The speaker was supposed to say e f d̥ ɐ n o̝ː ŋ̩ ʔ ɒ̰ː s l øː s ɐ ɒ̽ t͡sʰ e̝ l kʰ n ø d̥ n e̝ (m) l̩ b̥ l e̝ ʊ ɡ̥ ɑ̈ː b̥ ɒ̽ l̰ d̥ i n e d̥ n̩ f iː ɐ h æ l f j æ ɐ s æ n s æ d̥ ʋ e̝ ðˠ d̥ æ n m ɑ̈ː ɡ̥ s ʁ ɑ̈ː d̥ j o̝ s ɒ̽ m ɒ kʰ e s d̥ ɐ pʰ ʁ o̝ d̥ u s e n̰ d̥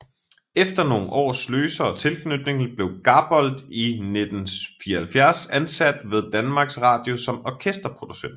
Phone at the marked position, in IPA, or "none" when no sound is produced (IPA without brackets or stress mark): ŋ